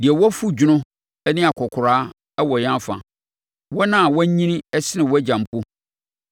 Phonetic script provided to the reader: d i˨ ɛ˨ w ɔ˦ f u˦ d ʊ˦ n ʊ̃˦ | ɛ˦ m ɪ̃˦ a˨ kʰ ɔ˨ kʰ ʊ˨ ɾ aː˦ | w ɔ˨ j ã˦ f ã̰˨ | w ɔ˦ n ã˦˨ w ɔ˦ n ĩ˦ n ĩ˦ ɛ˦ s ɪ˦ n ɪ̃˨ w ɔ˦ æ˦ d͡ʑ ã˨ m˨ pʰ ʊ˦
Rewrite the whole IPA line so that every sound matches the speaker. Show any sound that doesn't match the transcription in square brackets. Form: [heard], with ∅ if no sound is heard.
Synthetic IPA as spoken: d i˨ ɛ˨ w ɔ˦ f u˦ [d͡ʑ] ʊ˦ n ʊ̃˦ | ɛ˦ [n] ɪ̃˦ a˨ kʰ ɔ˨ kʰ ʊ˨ ɾ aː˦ | w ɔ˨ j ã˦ f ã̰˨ | w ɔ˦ n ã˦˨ w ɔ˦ [ɲ] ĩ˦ n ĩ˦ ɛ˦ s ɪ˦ n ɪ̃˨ w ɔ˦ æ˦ d͡ʑ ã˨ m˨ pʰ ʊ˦